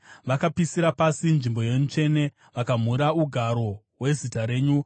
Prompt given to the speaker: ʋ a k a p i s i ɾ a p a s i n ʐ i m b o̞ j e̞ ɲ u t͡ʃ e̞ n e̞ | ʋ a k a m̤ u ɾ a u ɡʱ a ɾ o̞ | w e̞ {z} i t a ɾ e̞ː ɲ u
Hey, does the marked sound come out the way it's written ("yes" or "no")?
yes